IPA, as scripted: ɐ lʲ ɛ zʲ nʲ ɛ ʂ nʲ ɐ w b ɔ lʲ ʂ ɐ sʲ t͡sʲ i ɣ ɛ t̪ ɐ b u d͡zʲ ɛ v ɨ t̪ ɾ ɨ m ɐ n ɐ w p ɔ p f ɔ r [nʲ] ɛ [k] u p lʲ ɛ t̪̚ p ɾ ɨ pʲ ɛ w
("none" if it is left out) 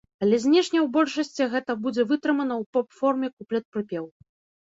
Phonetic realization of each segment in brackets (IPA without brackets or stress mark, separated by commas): mʲ, k